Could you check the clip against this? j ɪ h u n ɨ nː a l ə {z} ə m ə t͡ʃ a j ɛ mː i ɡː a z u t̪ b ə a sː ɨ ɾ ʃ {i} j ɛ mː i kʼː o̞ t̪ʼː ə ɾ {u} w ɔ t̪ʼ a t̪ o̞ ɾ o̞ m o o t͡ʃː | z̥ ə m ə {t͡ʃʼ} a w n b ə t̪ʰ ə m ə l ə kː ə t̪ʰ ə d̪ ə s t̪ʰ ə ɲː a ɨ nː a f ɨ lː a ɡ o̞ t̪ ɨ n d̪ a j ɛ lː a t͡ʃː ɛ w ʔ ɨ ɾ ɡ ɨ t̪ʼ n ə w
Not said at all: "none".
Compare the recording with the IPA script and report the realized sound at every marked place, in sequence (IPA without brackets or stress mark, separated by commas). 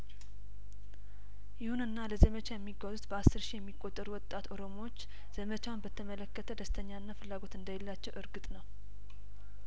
z, i, u, t͡ʃ